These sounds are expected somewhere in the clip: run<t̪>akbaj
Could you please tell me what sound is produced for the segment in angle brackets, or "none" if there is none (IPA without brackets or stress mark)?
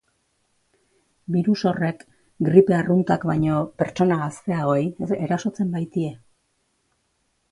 t̪